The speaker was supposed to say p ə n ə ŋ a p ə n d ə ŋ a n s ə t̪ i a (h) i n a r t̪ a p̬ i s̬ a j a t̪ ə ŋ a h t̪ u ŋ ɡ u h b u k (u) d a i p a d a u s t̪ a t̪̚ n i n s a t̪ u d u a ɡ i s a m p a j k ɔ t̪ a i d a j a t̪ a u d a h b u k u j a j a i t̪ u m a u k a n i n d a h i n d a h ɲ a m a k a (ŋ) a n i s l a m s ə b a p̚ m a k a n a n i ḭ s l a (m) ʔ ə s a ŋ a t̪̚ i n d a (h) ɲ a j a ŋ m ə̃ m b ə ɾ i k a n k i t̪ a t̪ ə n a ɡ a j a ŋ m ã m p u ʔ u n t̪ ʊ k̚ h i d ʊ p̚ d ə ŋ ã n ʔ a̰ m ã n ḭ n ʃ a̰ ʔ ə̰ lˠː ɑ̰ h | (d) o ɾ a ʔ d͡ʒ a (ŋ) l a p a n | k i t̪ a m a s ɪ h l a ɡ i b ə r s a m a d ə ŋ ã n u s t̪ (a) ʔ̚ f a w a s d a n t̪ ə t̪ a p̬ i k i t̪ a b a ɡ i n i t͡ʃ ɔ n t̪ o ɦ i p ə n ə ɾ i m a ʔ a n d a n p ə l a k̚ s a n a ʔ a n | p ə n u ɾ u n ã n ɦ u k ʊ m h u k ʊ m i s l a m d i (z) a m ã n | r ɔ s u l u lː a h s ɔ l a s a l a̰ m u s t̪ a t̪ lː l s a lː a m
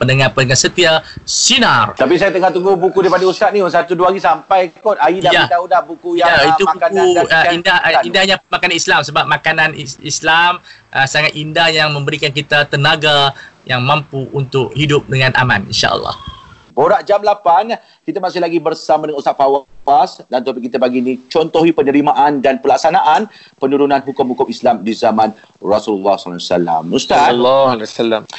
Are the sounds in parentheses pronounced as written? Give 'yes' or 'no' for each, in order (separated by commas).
no, yes, no, yes, yes, no, no, yes, yes